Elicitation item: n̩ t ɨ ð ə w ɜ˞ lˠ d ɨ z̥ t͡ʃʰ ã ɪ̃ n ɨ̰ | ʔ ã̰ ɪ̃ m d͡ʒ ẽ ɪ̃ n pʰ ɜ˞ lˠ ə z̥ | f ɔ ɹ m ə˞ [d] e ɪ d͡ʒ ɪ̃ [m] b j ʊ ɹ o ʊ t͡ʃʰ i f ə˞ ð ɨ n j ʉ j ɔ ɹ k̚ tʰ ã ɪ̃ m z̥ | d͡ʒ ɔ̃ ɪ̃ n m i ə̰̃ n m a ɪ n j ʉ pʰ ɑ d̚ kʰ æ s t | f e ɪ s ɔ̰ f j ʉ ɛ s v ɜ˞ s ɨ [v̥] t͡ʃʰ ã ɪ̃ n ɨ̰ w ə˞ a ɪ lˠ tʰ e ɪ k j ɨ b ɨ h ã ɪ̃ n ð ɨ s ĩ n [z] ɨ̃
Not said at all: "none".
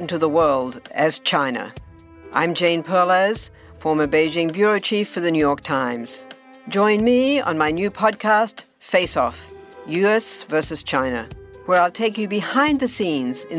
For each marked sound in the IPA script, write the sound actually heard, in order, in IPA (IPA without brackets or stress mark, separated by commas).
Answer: b, ŋ, z̥, z